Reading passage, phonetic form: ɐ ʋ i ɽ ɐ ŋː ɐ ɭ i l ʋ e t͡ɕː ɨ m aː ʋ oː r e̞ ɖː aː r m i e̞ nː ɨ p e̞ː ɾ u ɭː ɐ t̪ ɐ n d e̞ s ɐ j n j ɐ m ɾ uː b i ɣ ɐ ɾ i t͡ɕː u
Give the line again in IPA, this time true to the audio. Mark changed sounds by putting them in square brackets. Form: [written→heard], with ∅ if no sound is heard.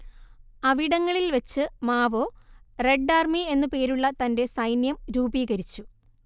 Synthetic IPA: ɐ ʋ i ɽ ɐ ŋː ɐ ɭ i l ʋ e t͡ɕː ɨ m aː ʋ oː r e̞ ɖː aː r m i e̞ nː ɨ p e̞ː ɾ u ɭː ɐ t̪ ɐ n d e̞ s ɐ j n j ɐ m ɾ uː b [i→iː] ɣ ɐ ɾ i t͡ɕː u